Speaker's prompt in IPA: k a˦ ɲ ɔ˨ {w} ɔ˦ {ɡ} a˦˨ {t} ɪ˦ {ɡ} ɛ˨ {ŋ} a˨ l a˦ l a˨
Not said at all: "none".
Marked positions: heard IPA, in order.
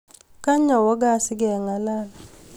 w, ɡ, s, ɡ, ŋ

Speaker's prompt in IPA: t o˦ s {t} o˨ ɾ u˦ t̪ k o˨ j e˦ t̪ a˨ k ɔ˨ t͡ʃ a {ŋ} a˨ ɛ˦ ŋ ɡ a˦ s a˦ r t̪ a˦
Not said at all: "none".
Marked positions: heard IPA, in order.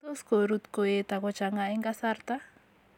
k, ŋ

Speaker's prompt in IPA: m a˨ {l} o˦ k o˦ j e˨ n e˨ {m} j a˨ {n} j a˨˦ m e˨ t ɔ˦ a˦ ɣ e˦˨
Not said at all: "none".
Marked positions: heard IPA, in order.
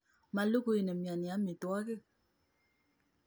l, m, n

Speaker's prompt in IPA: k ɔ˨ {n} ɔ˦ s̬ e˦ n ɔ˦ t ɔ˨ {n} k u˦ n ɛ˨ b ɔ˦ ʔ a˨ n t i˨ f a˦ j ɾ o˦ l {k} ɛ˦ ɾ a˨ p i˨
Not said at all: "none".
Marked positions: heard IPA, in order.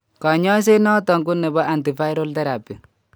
ɲ, ŋ, t

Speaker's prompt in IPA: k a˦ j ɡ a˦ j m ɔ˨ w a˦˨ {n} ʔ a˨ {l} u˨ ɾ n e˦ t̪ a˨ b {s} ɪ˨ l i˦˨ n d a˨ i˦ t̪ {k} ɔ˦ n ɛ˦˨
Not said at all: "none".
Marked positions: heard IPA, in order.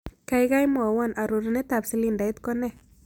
n, ɾ, s, k

